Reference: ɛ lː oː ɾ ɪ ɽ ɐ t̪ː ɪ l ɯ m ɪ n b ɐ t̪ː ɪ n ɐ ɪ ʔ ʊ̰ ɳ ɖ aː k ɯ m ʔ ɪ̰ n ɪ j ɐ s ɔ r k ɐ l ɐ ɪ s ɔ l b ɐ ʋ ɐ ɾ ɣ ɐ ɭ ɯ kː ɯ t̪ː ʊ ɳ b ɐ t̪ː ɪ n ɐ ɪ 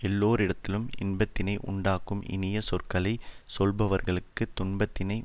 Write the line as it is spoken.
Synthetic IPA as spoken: ɛ lː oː ɾ ɪ ɽ ɐ t̪ː ɪ l ɯ m ɪ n b ɐ t̪ː ɪ n ɐ ɪ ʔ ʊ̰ ɳ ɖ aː k ɯ m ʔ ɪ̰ n ɪ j ɐ s ɔ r k ɐ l ɐ ɪ s ɔ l b ɐ ʋ ɐ ɾ ɣ ɐ ɭ ɯ kː ɯ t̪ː ʊ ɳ b ɐ t̪ː ɪ n ɐ ɪ

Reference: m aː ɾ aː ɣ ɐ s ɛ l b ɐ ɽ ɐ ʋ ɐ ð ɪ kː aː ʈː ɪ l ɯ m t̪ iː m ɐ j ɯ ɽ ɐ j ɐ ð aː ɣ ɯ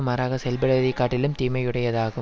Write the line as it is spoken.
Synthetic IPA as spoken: m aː ɾ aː ɣ ɐ s ɛ l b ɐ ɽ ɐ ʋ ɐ ð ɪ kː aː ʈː ɪ l ɯ m t̪ iː m ɐ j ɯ ɽ ɐ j ɐ ð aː ɣ ɯ

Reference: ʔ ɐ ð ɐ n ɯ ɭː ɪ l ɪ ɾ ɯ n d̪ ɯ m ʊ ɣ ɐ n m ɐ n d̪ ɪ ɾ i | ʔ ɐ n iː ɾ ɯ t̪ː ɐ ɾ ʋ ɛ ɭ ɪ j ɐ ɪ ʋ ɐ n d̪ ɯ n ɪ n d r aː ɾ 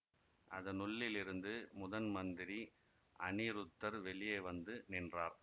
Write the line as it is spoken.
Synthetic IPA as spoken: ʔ ɐ ð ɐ n ʊ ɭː ɪ l ɪ ɾ ɯ n d̪ ɯ m ʊ ð ɐ n m ɐ n d̪ ɪ ɾ i | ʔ ɐ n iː ɾ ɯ t̪ː ɐ ɾ ʋ ɛ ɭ ɪ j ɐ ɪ ʋ ɐ n d̪ ɯ n ɪ n d r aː ɾ

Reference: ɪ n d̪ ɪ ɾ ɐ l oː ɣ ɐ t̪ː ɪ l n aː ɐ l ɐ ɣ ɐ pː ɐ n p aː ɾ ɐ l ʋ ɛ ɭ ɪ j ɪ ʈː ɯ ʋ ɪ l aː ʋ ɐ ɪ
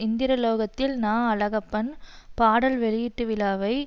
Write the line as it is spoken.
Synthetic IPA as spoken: ɪ n d̪ ɪ ɾ ɐ l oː ɣ ɐ t̪ː ɪ l n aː ɐ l ɐ ɣ ɐ pː ɐ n p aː ɽ ɐ l ʋ ɛ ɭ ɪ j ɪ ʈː ɯ ʋ ɪ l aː ʋ ɐ ɪ

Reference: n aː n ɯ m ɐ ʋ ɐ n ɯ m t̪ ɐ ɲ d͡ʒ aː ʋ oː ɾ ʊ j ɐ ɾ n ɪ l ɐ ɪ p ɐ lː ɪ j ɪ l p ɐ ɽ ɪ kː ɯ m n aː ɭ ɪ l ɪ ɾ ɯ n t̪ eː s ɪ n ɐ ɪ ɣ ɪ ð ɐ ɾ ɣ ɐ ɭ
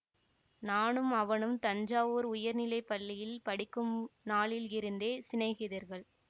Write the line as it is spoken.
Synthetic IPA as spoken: n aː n ɯ m ɐ ʋ ɐ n ɯ m t̪ ɐ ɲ d͡ʒ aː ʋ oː ɾ ʊ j ɐ ɾ n ɪ l ɐ ɪ p ɐ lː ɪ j ɪ l p ɐ ɽ ɪ kː ɯ m n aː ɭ ɪ l ɪ ɾ ɯ n d̪ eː s ɪ n ɐ ɪ ɣ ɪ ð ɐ ɾ ɣ ɐ ɭ

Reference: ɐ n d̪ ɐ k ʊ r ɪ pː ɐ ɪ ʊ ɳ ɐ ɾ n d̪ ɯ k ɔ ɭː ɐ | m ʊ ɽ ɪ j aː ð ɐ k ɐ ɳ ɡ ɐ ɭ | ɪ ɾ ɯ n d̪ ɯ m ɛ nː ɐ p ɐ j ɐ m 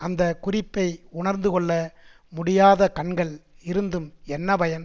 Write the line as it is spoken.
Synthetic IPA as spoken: ɐ n d̪ ɐ k ʊ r ɪ pː ɐ ɪ ʊ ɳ ɐ ɾ n d̪ ɯ k ɔ ɭː ɐ | m ʊ ɽ ɪ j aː ð ɐ k ɐ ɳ ɡ ɐ ɭ | ɪ ɾ ɯ n d̪ ɯ m ɛ nː ɐ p ɐ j ɐ n

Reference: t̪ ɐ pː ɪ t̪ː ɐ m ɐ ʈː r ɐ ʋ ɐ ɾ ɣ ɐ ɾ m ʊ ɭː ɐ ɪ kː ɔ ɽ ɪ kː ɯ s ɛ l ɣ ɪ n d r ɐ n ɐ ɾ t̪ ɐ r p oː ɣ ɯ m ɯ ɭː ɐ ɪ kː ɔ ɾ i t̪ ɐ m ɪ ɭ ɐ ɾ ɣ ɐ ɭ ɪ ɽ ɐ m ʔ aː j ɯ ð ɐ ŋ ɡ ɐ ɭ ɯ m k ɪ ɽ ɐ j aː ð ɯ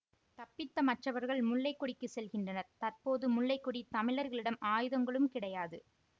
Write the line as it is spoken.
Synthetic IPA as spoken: t̪ ɐ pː ɪ t̪ː ɐ m ɐ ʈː r ɐ ʋ ɐ ɾ ɣ ɐ ɭ m ʊ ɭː ɐ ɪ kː ɔ ɽ ɪ kː ɯ s ɛ l ɣ ɪ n d r ɐ n ɐ ɾ t̪ ɐ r p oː ð ɯ m ʊ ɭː ɐ ɪ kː ɔ ɽ i t̪ ɐ m ɪ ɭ ɐ ɾ ɣ ɐ ɭ ɪ ɽ ɐ m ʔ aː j ɯ ð ɐ ŋ ɡ ɐ ɭ ɯ m k ɪ ɽ ɐ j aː ð ɯ

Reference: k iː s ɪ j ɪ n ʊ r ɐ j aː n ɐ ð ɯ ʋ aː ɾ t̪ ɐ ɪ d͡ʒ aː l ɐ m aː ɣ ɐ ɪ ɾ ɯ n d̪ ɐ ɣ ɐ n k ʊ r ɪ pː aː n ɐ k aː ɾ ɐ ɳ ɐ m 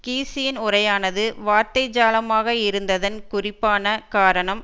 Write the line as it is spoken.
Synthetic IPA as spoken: k iː s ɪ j ɪ n ʊ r ɐ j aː n ɐ ð ɯ ʋ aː ɾ t̪ ɐ ɪ d͡ʒ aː l ɐ m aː ɣ ɐ ɪ ɾ ɯ n d̪ ɐ ð ɐ n k ʊ r ɪ pː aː n ɐ k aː ɾ ɐ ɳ ɐ m

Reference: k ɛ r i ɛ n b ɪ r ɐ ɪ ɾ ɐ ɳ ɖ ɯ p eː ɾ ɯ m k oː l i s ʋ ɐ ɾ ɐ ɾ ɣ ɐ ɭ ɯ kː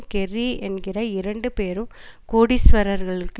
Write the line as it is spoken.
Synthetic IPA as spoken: k ɛ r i ɛ n ɡ ɪ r ɐ ɪ ɾ ɐ ɳ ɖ ɯ p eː ɾ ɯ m k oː ɽ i s ʋ ɐ ɾ ɐ ɾ ɣ ɐ ɭ ɯ kː

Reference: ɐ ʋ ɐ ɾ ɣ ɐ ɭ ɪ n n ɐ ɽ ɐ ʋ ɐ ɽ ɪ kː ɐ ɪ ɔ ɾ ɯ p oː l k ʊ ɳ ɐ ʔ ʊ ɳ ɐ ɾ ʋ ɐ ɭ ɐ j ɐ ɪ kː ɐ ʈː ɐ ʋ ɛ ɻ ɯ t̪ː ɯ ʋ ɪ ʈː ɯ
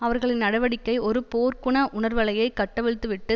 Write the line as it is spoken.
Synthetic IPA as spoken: ɐ ʋ ɐ ɾ ɣ ɐ ɭ ɪ n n ɐ ɽ ɐ ʋ ɐ ɽ ɪ kː ɐ ɪ ɔ ɾ ɯ p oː ɾ k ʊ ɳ ɐ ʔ ʊ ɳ ɐ ɾ ʋ ɐ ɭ ɐ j ɐ ɪ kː ɐ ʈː ɐ ʋ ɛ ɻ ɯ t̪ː ɯ ʋ ɪ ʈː ɯ

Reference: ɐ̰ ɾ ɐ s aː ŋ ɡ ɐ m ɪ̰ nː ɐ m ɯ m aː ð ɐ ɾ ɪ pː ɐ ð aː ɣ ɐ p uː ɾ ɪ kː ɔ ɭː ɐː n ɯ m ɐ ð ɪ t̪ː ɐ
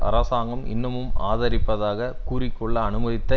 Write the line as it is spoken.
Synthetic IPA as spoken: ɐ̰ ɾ ɐ s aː ŋ ɡ ɐ m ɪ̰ nː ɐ m ɯ m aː ð ɐ ɾ ɪ pː ɐ ð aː ɣ ɐ k uː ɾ ɪ kː ɔ ɭː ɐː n ɯ m ɐ ð ɪ t̪ː ɐ

